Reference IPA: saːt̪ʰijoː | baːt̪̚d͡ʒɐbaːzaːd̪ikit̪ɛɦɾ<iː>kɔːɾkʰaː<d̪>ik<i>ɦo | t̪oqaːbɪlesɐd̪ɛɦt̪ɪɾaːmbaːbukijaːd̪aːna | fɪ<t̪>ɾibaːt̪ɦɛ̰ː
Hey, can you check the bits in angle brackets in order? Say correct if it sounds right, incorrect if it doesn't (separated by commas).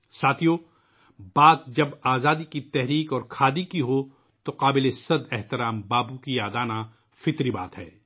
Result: correct, correct, correct, correct